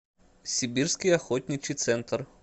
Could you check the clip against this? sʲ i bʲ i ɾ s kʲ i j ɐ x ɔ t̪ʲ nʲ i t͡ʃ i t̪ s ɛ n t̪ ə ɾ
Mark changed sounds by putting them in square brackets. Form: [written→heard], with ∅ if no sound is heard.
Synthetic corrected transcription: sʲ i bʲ i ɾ s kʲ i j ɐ x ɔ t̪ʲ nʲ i t͡ʃ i t̪ s ɛ n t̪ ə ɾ